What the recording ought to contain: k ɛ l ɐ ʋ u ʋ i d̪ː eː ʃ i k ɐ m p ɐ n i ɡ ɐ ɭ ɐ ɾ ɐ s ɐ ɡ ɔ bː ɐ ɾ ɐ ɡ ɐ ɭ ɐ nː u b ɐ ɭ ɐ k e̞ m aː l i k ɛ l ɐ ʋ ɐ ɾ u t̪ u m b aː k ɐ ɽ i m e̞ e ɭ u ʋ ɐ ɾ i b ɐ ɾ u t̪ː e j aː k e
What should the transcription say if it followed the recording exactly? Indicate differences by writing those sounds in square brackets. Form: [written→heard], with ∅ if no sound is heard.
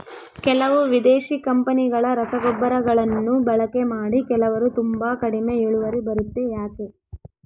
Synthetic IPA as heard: k ɛ l ɐ ʋ u ʋ i [d̪ː→d̪] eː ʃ i k ɐ m p ɐ n i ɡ ɐ ɭ ɐ ɾ ɐ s ɐ ɡ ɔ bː ɐ ɾ ɐ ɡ ɐ ɭ ɐ nː u b ɐ ɭ ɐ k e̞ m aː [l→ɽ] i k ɛ l ɐ ʋ ɐ ɾ u t̪ u m b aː k ɐ ɽ i m e̞ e ɭ u ʋ ɐ ɾ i b ɐ ɾ u t̪ː e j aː k e